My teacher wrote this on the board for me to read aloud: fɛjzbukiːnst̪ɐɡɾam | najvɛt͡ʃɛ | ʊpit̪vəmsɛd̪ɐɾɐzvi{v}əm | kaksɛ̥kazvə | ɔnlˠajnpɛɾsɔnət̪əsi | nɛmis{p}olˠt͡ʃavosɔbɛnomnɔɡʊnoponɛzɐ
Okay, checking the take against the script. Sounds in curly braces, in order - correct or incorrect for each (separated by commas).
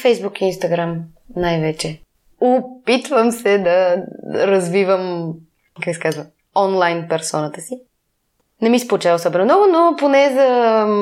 correct, correct